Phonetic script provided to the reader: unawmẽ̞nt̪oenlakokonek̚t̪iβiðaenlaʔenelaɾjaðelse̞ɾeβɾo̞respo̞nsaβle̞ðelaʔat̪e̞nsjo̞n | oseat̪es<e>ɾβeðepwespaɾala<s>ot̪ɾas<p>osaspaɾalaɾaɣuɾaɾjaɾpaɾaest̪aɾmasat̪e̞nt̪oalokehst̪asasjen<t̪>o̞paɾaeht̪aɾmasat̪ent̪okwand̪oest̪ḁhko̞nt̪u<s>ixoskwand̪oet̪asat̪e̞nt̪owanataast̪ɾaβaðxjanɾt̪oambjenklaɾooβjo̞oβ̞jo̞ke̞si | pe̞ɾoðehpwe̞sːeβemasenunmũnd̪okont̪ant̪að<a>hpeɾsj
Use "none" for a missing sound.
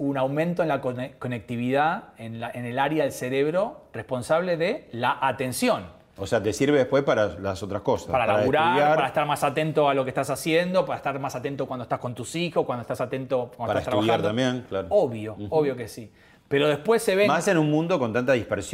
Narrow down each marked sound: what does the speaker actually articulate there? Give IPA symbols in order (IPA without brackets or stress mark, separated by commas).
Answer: i, s, k, d̪, s, i